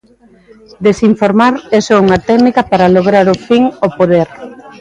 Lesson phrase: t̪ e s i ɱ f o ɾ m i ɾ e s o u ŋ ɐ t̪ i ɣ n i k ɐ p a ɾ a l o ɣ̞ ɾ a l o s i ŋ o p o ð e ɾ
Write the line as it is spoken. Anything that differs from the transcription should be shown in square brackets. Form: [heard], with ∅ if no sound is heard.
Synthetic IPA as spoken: [d̪] e s i ɱ f o ɾ m [a] ɾ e s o u ŋ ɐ t̪ [ɛ] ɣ n i k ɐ p a ɾ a l o ɣ̞ ɾ a [ɾ] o [f] i ŋ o p o ð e ɾ